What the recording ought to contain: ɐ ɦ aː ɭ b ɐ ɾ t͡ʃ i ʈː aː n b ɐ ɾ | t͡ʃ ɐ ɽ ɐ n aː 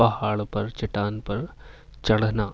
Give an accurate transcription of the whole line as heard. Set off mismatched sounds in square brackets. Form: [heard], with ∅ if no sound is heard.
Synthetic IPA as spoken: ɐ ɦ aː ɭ [p] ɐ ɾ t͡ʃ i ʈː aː n [p] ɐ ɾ | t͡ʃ ɐ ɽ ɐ n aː